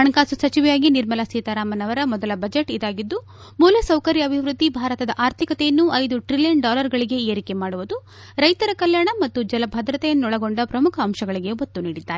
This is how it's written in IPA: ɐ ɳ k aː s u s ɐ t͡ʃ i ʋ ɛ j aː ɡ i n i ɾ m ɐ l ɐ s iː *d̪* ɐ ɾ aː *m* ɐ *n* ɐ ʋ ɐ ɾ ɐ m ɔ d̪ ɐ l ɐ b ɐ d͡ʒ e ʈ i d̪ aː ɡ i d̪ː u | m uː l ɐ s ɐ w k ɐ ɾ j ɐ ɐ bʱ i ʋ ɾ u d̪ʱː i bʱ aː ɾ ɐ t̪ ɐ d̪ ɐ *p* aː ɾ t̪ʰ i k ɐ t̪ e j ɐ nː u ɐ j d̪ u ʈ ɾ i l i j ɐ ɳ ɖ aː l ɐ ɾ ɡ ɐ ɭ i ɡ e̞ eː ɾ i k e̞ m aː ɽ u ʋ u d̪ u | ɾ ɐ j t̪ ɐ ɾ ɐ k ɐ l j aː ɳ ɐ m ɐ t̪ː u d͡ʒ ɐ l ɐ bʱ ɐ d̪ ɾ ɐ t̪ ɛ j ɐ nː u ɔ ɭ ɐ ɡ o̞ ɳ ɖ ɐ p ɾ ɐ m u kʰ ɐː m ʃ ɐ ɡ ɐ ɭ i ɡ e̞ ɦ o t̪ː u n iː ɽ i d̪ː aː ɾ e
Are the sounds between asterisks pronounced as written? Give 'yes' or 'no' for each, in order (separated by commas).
no, yes, yes, no